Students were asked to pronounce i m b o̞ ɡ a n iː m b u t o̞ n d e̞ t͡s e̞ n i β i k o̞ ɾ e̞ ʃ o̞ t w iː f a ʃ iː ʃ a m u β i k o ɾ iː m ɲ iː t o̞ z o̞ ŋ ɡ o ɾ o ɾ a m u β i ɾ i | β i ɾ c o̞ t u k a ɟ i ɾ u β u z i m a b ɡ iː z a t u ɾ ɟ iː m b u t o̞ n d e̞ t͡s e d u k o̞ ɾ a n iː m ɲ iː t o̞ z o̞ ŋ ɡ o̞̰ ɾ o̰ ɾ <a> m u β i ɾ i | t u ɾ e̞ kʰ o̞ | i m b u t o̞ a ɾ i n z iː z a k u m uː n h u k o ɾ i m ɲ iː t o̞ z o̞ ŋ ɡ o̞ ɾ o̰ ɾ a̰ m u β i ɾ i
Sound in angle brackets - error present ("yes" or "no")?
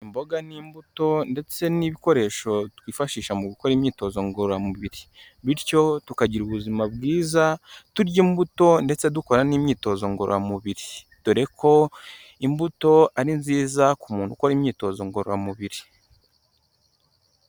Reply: no